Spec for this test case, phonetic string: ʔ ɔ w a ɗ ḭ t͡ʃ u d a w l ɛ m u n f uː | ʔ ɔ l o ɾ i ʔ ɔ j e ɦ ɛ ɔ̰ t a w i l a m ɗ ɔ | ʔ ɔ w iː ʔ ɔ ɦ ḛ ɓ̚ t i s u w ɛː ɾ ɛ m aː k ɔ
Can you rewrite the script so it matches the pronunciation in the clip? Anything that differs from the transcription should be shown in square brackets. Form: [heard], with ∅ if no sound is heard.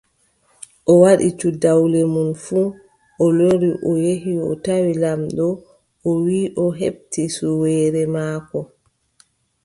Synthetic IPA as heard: ʔ ɔ w a ɗ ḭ t͡ʃ u d a w l ɛ m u n f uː | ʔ ɔ l o ɾ i ʔ ɔ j e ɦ [i] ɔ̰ t a w i l a m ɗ ɔ | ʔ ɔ w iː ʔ ɔ ɦ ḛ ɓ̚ t i s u w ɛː ɾ ɛ m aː k ɔ